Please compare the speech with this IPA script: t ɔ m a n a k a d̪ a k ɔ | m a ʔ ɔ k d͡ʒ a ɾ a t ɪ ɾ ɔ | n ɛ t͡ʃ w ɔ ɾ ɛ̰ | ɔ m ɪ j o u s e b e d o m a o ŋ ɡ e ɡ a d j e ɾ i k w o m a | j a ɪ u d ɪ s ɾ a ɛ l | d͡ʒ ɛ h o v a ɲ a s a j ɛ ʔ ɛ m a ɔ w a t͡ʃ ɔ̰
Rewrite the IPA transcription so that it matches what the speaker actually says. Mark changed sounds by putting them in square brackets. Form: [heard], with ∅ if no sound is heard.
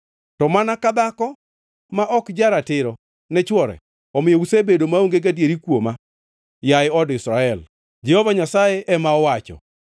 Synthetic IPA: t ɔ m a n a k a d̪ a k ɔ | m a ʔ ɔ k d͡ʒ a ɾ a t ɪ ɾ ɔ | n ɛ t͡ʃ w ɔ ɾ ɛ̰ | ɔ m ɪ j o u s e b e d o m a o ŋ ɡ e ɡ a d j e ɾ i k w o m a | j a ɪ [ɔ] d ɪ s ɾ a ɛ l | d͡ʒ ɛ h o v a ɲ a s a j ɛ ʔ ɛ m a ɔ w a t͡ʃ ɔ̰